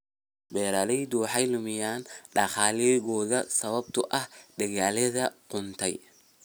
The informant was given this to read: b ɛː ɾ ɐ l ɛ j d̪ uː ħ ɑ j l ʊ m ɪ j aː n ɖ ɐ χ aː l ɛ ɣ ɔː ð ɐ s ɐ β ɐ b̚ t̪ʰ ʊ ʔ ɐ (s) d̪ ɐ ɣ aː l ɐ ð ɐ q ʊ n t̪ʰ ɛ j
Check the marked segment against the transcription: incorrect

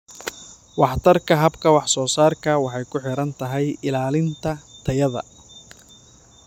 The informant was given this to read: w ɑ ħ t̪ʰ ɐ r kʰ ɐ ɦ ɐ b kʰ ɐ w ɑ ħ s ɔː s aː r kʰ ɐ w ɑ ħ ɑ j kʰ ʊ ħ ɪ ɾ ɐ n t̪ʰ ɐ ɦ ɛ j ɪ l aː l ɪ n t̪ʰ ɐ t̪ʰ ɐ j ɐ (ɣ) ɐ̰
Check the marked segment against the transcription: incorrect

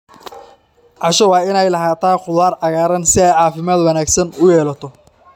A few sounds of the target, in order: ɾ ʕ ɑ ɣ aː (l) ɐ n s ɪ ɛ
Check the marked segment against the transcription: incorrect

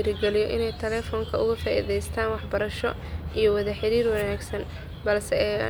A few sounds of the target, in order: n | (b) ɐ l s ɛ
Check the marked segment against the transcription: correct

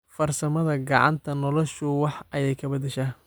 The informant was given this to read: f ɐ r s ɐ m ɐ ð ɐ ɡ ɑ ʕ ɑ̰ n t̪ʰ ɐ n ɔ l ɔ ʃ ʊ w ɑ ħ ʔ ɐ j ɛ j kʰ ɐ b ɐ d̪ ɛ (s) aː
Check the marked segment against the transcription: incorrect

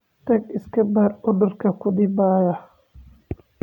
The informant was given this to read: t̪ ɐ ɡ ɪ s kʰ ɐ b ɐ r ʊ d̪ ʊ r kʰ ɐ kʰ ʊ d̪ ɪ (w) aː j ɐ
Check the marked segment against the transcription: incorrect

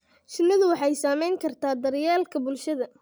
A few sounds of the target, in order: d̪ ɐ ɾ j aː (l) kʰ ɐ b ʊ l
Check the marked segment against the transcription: correct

